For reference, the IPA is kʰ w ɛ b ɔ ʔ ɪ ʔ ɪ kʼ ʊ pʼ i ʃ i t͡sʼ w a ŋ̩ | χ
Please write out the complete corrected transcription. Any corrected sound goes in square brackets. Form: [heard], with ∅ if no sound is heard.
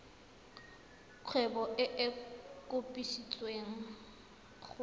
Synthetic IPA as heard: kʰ w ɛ b ɔ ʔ ɪ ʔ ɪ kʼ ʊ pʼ i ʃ i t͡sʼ w [e] ŋ̩ | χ